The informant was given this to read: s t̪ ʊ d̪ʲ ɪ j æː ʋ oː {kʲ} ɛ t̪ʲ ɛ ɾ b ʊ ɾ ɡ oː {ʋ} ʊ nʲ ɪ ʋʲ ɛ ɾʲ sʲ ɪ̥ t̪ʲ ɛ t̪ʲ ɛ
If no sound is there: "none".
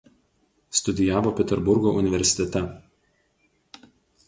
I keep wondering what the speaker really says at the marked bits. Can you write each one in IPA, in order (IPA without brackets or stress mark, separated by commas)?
pʲ, none